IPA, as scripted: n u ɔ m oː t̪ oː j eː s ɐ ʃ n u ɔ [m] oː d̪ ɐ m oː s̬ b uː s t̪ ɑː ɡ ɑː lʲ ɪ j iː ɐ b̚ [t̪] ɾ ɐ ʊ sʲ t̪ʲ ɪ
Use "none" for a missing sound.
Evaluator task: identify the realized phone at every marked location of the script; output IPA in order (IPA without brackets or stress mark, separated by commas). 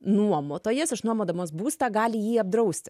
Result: m, d̪